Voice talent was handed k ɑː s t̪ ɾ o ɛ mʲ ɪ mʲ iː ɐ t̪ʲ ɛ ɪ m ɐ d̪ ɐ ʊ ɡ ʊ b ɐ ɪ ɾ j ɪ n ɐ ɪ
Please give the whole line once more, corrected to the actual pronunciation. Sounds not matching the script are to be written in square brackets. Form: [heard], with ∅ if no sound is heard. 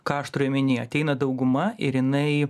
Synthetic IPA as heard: k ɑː [ʃ] t̪ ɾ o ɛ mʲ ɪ [nʲ] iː ɐ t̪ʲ ɛ ɪ [n] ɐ d̪ ɐ ʊ ɡ ʊ [m] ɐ ɪ ɾ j ɪ n ɐ ɪ